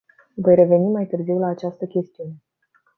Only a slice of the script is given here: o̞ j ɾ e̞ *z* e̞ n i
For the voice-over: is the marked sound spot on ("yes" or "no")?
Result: no